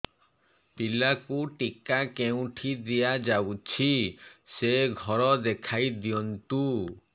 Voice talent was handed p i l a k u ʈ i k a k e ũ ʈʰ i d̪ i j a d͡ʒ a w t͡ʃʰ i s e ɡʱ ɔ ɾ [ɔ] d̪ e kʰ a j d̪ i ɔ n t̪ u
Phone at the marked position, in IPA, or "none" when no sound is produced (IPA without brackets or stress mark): ɔ